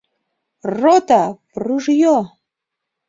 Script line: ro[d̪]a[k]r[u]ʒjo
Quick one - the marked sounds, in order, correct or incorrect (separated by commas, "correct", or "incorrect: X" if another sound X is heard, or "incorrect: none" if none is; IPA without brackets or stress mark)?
incorrect: t̪, incorrect: p, correct